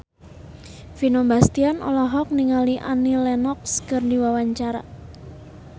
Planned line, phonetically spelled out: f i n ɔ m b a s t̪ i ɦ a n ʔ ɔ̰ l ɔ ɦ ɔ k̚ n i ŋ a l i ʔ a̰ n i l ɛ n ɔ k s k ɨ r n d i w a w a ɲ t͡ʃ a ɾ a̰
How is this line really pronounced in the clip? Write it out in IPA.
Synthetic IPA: f i n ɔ m b a s t̪ i a n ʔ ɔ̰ l ɔ ɦ ɔ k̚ n i ŋ a l i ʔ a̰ n i l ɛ n ɔ k s k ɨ r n d i w a w a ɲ t͡ʃ a ɾ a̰